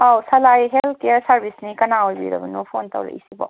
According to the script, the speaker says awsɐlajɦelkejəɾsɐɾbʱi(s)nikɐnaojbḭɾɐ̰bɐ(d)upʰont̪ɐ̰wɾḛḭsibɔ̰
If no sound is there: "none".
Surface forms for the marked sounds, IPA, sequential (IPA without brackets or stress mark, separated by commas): s, n